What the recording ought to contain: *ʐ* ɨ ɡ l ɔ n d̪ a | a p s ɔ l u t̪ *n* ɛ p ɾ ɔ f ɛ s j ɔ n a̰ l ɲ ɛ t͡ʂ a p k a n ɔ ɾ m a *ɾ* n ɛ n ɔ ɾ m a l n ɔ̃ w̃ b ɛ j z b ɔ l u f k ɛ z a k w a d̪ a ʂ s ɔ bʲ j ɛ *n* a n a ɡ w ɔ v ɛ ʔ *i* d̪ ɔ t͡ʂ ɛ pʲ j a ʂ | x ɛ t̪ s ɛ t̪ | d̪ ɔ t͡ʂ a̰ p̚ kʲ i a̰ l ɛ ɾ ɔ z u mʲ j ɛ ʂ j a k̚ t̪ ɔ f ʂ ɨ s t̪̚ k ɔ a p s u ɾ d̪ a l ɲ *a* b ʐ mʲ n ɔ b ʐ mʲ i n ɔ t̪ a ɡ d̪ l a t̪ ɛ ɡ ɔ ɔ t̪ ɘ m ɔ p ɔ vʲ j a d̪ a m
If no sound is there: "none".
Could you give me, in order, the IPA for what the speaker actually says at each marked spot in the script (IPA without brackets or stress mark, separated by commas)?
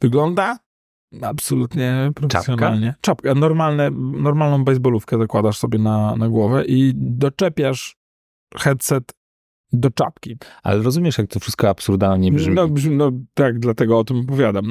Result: v, ɲ, l, n, i, ɛ